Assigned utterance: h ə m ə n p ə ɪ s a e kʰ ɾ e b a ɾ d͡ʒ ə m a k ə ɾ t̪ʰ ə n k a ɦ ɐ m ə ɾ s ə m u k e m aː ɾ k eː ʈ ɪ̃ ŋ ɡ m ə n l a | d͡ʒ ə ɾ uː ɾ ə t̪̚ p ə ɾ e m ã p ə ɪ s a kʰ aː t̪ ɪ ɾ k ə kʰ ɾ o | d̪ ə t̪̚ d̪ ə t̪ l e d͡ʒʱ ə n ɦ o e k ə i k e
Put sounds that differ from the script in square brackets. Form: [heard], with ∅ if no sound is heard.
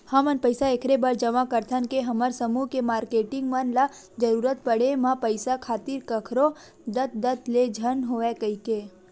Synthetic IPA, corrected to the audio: h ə m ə n p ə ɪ s a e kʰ ɾ e b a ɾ d͡ʒ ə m a k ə ɾ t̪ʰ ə n k [e] ɦ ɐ m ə ɾ s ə m u k e m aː ɾ k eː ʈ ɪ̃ ŋ ɡ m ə n l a | d͡ʒ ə ɾ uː ɾ ə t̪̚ p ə [ɽ] e m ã p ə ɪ s a kʰ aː t̪ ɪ ɾ k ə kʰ ɾ o | d̪ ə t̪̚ d̪ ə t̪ l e d͡ʒʱ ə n ɦ o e k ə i k e